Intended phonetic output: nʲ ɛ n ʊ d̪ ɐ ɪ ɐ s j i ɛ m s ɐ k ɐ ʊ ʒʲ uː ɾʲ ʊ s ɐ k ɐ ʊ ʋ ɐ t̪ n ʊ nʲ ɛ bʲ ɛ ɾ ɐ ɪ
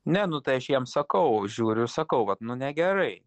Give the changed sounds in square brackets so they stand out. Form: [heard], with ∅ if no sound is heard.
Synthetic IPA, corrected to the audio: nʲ ɛ n ʊ [t̪] ɐ ɪ ɐ [ʃ] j i ɛ m s ɐ k ɐ ʊ ʒʲ uː ɾʲ ʊ s ɐ k ɐ ʊ ʋ ɐ t̪ n ʊ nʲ ɛ [ɡʲ] ɛ ɾ ɐ ɪ